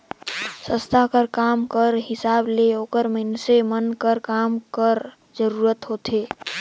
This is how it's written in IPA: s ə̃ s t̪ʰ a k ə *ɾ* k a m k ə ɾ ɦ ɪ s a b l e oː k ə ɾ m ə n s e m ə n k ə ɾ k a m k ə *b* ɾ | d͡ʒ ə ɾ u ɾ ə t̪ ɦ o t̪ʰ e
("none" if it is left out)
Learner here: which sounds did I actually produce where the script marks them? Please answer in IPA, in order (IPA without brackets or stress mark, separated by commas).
ɾ, none